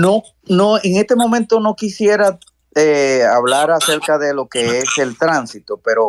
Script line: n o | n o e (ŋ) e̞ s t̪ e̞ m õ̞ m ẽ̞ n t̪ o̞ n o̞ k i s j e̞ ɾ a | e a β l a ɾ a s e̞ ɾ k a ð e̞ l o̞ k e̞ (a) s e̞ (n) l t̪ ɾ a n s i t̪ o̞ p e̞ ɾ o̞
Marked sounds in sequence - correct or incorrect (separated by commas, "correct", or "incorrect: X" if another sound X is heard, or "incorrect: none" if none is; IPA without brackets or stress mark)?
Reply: correct, incorrect: e, incorrect: none